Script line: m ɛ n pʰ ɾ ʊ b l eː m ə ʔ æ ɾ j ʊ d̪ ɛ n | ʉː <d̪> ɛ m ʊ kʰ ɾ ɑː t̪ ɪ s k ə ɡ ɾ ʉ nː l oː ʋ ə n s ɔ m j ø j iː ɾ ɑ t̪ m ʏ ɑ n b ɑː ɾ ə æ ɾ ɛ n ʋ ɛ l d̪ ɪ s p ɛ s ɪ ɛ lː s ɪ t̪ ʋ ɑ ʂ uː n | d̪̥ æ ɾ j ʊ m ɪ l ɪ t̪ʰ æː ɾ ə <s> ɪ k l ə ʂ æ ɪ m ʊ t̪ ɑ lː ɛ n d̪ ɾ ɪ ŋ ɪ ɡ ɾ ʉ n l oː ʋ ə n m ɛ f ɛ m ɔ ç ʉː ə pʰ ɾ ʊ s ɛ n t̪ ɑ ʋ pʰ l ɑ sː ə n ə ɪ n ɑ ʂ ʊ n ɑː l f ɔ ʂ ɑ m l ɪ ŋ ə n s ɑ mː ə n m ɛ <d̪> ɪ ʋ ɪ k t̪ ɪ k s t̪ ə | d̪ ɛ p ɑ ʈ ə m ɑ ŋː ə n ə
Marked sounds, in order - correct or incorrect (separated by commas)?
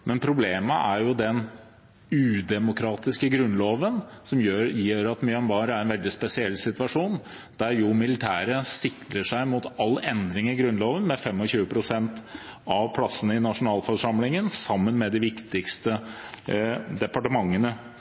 correct, correct, correct